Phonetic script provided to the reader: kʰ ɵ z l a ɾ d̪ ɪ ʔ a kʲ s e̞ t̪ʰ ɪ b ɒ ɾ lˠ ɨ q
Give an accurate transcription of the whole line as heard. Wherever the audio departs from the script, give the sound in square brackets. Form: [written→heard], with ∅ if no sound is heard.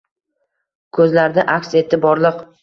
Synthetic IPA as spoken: kʰ ɵ z l a ɾ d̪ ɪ ʔ a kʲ s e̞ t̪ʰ ɪ b ɒ ɾ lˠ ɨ q

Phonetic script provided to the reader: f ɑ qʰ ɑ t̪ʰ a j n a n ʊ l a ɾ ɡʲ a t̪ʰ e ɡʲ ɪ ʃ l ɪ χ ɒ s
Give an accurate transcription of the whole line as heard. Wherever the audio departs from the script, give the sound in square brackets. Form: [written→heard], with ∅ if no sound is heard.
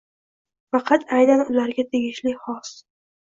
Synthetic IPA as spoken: f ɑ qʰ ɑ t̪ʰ a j n a n ʊ l a ɾ ɡʲ a t̪ʰ e ɡʲ ɪ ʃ l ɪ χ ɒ s

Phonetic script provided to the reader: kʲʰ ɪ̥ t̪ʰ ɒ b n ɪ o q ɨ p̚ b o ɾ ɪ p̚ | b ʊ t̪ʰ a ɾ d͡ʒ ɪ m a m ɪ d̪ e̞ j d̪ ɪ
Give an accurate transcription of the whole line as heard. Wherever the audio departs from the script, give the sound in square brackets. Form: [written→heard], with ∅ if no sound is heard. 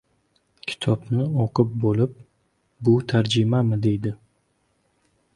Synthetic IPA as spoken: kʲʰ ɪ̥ t̪ʰ ɒ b n ɪ o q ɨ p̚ b o [ɾ→l] ɪ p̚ | b ʊ t̪ʰ a ɾ d͡ʒ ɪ m a m ɪ d̪ e̞ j d̪ ɪ

